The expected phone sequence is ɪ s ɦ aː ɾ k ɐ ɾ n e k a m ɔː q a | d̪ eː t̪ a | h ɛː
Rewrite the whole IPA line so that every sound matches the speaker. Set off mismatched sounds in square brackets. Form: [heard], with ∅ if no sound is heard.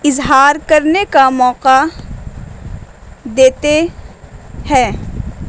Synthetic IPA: ɪ [z] ɦ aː ɾ k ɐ ɾ n e k a m ɔː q a | d̪ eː t̪ [e] | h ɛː